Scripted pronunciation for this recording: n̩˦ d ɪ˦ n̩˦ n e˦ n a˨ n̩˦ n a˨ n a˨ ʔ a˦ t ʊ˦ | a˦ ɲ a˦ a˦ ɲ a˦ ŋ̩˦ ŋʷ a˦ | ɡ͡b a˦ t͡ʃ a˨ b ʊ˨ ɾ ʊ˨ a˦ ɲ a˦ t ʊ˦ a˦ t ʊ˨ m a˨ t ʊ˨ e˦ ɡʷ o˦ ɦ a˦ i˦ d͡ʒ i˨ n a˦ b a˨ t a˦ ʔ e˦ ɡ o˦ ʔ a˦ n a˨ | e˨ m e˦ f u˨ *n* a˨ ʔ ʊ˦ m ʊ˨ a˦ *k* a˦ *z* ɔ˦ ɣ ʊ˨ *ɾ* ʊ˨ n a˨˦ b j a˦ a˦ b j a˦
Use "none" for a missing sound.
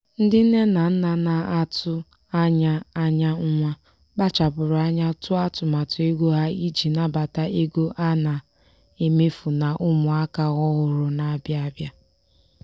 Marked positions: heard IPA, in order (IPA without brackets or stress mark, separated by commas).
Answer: n, k, ɣ, ɾ